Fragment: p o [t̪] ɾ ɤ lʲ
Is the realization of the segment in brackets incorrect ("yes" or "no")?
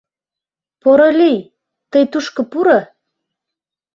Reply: yes